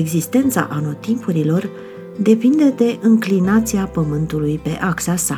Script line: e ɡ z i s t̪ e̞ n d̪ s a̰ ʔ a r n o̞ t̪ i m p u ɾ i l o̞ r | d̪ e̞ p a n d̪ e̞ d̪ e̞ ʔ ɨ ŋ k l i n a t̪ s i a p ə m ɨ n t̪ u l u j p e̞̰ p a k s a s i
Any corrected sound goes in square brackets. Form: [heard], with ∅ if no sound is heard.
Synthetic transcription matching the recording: e ɡ z i s t̪ e̞ n [t̪] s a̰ ʔ a [∅] n o̞ t̪ i m p u ɾ i l o̞ r | d̪ e̞ p [i] n d̪ e̞ d̪ e̞ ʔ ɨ ŋ k l i n a t̪ s i a p ə m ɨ n t̪ u l u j p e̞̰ [ʔ] a k s a s [a]